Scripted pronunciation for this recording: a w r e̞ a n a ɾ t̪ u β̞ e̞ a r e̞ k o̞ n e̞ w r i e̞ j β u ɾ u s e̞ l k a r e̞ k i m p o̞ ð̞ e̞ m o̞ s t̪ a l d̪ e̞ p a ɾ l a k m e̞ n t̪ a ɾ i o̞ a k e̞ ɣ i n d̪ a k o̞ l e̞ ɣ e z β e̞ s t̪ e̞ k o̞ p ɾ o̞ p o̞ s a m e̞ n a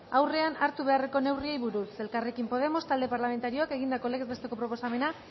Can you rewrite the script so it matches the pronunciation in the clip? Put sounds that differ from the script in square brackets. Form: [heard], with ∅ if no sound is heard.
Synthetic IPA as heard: a w r e̞ a n a ɾ t̪ u β̞ e̞ a r e̞ k o̞ n e̞ w r i e̞ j β u ɾ u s e̞ l k a r e̞ k i m p o̞ ð̞ e̞ m o̞ s t̪ a l d̪ e̞ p a ɾ l a [∅] m e̞ n t̪ a ɾ i o̞ a k e̞ ɣ i n d̪ a k o̞ l e̞ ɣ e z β e̞ s t̪ e̞ k o̞ p ɾ o̞ p o̞ s a m e̞ n a

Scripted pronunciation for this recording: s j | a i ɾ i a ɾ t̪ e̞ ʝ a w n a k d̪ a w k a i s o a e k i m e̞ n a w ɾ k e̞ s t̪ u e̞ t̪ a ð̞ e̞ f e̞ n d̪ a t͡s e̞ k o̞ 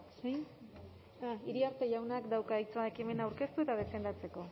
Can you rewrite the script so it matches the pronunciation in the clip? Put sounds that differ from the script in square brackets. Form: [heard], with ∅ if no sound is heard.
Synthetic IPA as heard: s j | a i ɾ i a ɾ t̪ e̞ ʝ a w n a k d̪ a w k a i [t͡s] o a e k i m e̞ n a w ɾ k e̞ s t̪ u e̞ t̪ a ð̞ e̞ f e̞ n d̪ a t͡s e̞ k o̞

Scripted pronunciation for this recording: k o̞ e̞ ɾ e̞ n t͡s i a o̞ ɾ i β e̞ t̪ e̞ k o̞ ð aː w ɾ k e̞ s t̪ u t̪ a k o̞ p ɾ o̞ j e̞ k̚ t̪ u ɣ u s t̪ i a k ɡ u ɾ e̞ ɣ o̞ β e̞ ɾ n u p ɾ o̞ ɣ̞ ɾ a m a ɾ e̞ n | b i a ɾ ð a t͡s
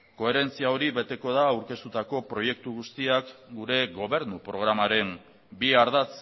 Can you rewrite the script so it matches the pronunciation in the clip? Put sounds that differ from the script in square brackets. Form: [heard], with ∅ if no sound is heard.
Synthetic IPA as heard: k o̞ e̞ ɾ e̞ n t͡s i a o̞ ɾ i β e̞ t̪ e̞ k o̞ ð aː w ɾ k e̞ s t̪ u t̪ a k o̞ p ɾ o̞ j e̞ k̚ t̪ u ɣ u s t̪ i a k ɡ u ɾ e̞ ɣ o̞ β e̞ ɾ n u p ɾ o̞ ɣ̞ ɾ a m a ɾ e̞ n | b i a ɾ ð a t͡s

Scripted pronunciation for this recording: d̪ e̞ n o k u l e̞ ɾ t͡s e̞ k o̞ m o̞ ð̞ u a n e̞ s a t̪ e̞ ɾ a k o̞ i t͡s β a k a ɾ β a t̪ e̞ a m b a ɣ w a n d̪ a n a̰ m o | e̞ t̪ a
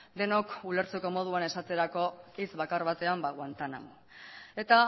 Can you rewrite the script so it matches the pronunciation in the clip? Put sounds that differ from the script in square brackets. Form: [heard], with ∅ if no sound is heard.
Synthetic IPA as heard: d̪ e̞ n o k u l e̞ ɾ t͡s e̞ k o̞ m o̞ ð̞ u a n e̞ s a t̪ e̞ ɾ a k o̞ i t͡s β a k a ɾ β a t̪ e̞ a m b a ɣ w a n [t̪] a n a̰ m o | e̞ t̪ a

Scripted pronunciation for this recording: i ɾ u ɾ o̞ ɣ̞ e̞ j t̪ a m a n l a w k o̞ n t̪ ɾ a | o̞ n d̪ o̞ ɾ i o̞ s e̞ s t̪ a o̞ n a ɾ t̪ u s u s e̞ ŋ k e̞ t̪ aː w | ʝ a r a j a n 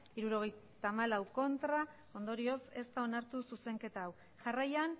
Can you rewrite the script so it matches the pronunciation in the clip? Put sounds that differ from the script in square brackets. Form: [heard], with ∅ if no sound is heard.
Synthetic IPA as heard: i ɾ u ɾ o̞ ɣ̞ e̞ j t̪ a m a [∅] l a w k o̞ n t̪ ɾ a | o̞ n d̪ o̞ ɾ i o̞ s e̞ s t̪ a o̞ n a ɾ t̪ u s u s e̞ ŋ k e̞ t̪ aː w | ʝ a r a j a n

